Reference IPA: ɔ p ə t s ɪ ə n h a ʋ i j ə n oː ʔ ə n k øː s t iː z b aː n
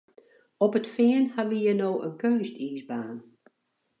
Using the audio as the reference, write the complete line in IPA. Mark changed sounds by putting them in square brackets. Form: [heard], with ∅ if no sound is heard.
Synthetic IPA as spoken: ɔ p ə t [f] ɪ ə n h a ʋ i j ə n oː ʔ ə n k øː s t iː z b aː n